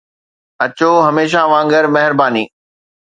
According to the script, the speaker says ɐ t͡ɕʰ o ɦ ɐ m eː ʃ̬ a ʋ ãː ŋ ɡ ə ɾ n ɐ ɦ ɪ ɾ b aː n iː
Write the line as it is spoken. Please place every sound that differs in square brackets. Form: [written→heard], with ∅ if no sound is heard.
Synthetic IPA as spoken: ɐ [t͡ɕʰ→t͡ɕ] o ɦ ɐ m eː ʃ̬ a ʋ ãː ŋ ɡ ə ɾ [n→m] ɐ ɦ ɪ ɾ b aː n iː